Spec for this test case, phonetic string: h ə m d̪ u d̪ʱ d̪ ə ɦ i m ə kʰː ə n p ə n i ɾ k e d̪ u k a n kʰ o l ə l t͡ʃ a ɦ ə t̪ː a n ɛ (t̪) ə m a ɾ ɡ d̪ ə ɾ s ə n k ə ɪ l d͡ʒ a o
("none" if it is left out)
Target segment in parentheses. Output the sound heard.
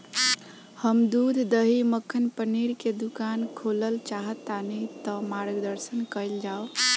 t̪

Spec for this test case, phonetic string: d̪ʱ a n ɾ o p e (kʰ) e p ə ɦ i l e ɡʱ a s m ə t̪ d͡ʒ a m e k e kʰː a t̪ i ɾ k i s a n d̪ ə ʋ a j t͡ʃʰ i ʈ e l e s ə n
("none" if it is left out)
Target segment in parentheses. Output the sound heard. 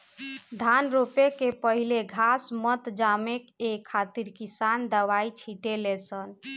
k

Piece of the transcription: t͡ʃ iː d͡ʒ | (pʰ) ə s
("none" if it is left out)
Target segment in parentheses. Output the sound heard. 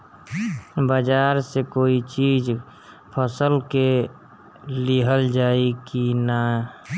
pʰ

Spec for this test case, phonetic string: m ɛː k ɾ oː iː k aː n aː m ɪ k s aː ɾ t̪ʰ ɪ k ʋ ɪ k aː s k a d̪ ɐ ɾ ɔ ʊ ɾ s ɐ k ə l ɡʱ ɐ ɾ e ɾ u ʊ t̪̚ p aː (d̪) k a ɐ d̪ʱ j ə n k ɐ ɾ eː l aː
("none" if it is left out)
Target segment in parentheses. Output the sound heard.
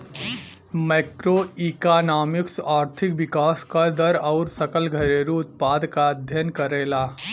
d̪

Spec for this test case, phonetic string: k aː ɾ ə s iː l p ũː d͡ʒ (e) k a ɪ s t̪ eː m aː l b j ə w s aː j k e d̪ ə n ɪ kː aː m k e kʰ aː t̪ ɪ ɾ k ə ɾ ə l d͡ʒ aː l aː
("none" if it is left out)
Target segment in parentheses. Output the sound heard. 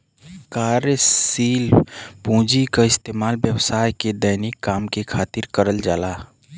i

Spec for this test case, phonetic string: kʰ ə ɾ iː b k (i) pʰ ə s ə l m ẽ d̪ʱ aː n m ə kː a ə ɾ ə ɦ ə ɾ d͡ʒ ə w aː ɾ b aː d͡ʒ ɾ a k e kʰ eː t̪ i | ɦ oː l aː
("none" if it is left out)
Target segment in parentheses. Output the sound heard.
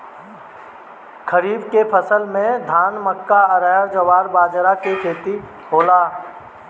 e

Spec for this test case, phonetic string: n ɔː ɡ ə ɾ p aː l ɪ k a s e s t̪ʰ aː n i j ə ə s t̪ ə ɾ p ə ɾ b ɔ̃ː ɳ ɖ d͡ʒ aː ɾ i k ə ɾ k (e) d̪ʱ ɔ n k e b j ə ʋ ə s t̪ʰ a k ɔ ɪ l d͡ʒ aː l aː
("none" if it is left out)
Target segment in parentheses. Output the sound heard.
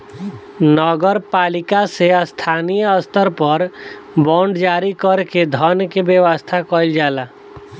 e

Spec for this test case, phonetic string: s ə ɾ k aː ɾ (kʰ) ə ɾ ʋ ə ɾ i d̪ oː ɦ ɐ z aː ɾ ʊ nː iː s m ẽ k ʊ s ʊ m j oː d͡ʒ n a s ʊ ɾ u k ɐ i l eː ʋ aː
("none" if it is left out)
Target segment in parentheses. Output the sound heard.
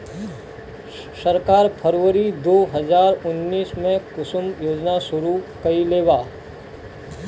pʰ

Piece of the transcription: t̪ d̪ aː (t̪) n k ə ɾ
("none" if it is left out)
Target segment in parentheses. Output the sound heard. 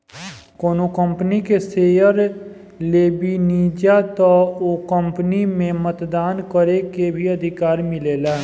none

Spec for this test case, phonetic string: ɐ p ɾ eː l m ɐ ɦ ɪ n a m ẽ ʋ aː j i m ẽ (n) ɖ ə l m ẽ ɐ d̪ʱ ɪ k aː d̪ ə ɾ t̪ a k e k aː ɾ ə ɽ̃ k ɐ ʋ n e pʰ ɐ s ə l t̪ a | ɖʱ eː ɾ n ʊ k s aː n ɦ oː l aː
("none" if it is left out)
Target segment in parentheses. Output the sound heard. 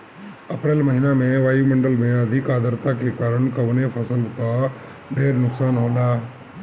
ɳ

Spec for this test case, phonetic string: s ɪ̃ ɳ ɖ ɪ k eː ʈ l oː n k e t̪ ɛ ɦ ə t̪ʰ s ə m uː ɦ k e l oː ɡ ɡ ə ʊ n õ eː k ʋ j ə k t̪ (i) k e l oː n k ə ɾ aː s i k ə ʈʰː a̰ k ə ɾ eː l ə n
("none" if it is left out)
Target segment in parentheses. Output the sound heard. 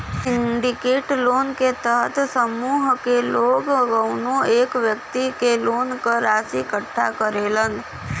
i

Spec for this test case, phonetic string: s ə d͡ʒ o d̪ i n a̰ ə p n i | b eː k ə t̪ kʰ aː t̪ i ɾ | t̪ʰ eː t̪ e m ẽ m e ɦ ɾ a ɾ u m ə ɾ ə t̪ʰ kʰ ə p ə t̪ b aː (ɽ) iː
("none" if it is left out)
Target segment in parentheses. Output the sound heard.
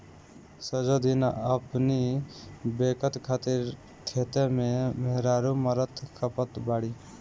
ɽ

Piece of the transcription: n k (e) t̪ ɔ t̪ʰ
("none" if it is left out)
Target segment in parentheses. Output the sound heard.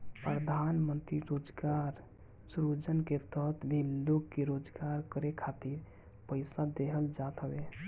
e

